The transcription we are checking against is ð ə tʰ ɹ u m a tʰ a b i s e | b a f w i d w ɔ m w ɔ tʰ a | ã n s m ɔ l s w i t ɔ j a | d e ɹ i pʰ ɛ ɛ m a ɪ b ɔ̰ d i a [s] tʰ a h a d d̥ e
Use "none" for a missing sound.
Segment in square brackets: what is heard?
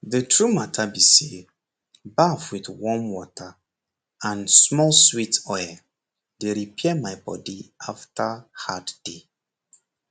f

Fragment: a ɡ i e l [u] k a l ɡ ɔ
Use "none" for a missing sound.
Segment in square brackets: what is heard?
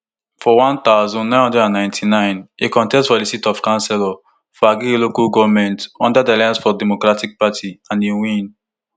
o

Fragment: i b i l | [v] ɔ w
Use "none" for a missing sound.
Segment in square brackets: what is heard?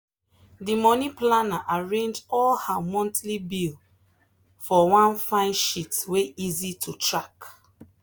f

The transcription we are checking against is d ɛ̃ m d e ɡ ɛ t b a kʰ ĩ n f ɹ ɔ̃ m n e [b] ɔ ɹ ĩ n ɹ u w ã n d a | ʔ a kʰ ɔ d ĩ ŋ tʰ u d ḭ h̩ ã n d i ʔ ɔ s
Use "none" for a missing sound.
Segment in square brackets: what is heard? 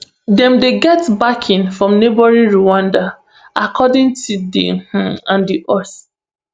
b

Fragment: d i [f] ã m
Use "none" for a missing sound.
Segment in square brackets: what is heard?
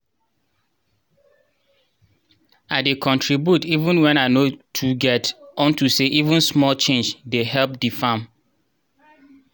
f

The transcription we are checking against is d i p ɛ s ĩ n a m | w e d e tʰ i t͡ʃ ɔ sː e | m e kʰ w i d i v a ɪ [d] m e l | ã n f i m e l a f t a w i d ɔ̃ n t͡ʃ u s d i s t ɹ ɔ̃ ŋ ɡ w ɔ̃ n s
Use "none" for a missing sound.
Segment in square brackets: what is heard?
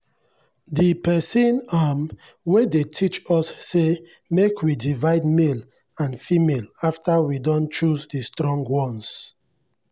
d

